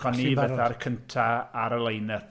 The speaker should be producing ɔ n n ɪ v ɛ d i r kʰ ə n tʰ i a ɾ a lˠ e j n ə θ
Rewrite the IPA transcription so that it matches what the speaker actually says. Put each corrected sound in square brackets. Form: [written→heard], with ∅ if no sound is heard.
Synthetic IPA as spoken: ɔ n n [ɪ→i] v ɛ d [i→a] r kʰ ə n tʰ [i→a] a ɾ [a→ə] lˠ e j n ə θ